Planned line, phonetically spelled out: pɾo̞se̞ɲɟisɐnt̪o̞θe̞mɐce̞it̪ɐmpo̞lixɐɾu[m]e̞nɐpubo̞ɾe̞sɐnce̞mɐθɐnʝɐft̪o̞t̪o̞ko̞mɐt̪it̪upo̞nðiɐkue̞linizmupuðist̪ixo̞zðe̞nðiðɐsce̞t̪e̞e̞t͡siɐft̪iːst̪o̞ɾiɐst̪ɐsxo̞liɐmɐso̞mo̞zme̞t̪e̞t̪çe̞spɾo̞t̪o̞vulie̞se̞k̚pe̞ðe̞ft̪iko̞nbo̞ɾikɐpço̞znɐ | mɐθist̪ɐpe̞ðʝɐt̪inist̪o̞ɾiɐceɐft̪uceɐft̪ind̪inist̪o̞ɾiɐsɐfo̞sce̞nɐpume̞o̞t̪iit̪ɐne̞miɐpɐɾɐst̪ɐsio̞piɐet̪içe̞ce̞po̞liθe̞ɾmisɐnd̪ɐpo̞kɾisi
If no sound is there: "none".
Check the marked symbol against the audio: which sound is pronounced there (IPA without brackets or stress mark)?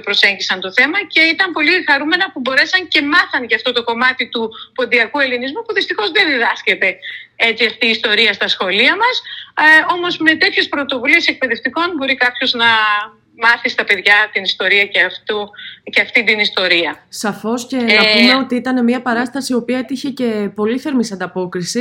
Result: m